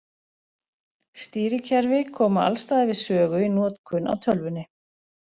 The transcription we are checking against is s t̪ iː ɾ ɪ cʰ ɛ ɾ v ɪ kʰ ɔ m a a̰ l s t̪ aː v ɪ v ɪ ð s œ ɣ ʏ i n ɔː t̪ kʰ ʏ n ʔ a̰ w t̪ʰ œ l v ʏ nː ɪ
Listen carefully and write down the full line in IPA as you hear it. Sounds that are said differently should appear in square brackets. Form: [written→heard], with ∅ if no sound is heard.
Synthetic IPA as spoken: s t̪ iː ɾ ɪ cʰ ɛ ɾ v ɪ kʰ [ɔ→ɔː] m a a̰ l s t̪ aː [v→ð] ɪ v ɪ ð s [œ→œː] ɣ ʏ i n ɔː t̪ kʰ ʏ n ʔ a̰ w t̪ʰ œ l v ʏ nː ɪ